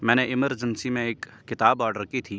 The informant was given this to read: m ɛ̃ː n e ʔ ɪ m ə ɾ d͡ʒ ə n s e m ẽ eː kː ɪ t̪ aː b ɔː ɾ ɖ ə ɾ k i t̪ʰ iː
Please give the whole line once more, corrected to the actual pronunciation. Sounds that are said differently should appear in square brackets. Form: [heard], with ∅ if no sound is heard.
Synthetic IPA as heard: m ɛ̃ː n e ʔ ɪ m ə ɾ d͡ʒ ə n s [i] m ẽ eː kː ɪ t̪ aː b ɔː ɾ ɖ ə ɾ k i t̪ʰ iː